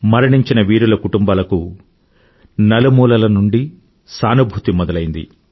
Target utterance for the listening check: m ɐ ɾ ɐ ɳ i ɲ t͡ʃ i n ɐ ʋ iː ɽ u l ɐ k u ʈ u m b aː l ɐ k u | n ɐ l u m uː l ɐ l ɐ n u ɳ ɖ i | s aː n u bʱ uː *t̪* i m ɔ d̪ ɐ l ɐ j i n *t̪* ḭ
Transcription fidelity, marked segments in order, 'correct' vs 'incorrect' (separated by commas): correct, incorrect